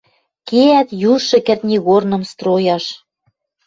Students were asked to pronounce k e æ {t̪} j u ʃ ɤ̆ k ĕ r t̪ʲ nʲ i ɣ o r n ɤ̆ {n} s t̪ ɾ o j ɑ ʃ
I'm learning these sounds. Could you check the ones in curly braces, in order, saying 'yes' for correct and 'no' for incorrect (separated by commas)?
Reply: yes, no